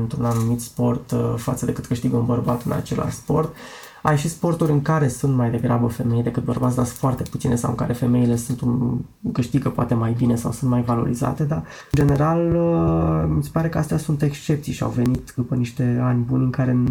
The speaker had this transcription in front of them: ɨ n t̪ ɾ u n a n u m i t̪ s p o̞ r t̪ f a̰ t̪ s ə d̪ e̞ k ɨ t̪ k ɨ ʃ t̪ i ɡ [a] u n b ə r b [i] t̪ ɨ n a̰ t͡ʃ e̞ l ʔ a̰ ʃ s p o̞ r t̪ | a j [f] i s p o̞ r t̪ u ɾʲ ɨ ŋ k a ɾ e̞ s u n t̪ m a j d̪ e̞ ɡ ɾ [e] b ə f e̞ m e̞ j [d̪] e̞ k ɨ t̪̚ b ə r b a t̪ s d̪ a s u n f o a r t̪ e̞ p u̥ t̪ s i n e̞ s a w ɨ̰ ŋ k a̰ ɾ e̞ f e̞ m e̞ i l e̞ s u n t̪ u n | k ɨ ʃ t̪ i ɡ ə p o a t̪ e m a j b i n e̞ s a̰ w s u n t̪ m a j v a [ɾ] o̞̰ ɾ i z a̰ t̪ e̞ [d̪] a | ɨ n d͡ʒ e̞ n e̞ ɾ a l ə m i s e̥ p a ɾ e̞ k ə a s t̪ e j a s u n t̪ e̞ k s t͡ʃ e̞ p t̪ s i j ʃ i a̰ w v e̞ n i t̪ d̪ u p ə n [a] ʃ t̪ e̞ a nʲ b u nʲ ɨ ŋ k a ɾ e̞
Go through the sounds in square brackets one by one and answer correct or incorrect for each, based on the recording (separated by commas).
incorrect, incorrect, incorrect, incorrect, correct, incorrect, correct, incorrect